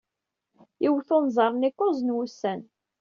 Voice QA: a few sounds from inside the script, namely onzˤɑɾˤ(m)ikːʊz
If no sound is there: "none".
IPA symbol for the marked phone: n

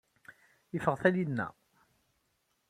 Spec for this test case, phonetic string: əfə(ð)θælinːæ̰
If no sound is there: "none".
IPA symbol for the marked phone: ʁ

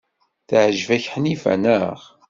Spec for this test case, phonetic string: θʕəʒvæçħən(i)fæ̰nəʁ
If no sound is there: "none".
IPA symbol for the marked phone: i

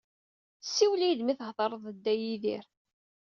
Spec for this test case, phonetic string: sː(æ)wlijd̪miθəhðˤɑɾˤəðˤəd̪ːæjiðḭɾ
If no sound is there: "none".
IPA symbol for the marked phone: i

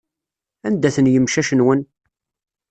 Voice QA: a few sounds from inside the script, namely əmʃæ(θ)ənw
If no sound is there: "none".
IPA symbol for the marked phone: ʃ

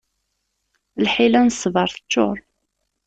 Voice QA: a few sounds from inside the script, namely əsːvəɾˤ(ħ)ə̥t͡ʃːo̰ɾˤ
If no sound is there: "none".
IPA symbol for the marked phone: θ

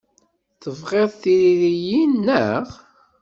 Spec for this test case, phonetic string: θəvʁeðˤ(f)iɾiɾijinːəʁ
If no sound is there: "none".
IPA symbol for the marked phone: θ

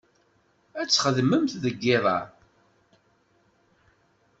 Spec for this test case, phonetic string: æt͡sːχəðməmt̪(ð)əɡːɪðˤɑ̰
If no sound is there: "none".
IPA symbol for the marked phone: ð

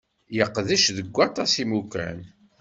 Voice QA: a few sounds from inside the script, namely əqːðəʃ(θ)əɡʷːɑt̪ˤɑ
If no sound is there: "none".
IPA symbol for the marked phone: ð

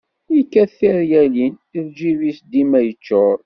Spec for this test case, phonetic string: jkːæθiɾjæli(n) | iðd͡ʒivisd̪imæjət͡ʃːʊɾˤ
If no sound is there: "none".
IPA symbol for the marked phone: n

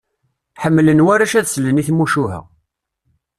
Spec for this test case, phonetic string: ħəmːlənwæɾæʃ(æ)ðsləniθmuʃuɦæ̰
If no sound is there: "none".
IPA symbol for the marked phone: æ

